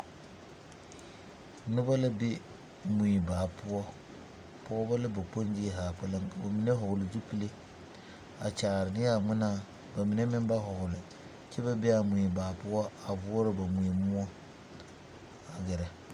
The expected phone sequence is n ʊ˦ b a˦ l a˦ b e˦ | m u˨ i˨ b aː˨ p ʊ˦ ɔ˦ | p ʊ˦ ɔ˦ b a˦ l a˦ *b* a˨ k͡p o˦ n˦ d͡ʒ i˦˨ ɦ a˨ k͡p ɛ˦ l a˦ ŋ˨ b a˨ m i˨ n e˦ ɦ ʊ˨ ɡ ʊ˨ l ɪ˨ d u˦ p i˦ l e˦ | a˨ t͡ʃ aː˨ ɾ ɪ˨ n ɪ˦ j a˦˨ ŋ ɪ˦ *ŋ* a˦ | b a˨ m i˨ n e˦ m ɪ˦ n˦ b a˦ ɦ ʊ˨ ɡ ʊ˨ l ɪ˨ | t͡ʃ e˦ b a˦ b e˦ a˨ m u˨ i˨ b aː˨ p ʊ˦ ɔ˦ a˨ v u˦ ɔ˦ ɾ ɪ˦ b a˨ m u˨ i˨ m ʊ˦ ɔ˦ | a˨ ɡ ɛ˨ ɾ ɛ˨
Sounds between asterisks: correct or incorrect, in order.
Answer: correct, incorrect

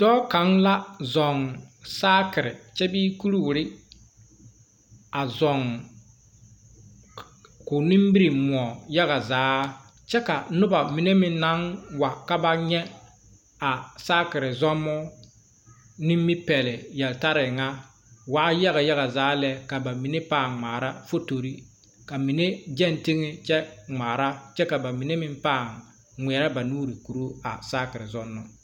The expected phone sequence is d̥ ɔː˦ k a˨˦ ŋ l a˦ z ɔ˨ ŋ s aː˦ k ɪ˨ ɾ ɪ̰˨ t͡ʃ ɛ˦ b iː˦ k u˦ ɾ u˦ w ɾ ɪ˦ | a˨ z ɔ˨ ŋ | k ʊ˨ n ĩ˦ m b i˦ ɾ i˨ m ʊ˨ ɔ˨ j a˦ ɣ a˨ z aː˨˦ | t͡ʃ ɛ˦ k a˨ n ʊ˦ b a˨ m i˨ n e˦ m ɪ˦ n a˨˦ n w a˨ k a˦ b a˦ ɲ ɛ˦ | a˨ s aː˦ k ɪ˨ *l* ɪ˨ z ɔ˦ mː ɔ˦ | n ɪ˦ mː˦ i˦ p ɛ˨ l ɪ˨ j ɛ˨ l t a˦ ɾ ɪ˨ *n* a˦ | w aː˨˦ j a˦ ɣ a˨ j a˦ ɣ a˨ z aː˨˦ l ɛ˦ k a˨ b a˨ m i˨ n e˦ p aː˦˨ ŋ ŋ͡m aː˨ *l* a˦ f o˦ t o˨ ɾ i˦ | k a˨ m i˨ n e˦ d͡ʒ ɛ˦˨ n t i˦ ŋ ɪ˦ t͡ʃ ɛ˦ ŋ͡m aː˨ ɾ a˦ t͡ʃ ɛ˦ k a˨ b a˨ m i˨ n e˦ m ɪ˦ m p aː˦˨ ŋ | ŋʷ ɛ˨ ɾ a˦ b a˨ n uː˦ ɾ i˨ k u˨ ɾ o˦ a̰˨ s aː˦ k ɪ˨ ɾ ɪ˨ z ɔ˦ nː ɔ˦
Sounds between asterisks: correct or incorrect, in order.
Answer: incorrect, incorrect, incorrect

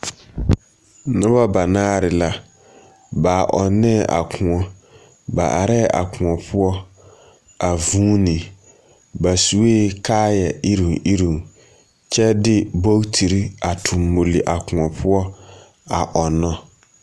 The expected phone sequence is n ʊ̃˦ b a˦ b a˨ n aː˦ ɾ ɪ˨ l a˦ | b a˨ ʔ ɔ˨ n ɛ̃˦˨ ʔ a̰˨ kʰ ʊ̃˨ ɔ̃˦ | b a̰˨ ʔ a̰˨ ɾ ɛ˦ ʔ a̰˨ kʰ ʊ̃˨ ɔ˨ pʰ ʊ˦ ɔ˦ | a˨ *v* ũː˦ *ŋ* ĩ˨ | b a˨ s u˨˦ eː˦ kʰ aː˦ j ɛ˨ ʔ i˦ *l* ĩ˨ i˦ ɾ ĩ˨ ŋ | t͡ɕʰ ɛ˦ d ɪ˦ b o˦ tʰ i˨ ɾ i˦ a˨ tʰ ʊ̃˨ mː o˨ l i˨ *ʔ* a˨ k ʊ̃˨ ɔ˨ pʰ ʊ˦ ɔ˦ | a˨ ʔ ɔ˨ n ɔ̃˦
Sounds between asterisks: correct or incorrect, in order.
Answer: correct, incorrect, incorrect, correct

